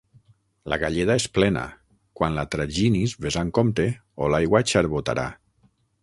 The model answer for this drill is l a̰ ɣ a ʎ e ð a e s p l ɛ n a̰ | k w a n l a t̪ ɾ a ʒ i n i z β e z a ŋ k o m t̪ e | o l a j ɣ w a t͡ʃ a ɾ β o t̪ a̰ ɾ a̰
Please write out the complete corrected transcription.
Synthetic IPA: l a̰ ɣ a ʎ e ð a e s p l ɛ n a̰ | k w a n l a t̪ ɾ a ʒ i n i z β e z a ŋ k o m t̪ e | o l a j ɣ w a t͡ʃ a ɾ β o t̪ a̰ ɾ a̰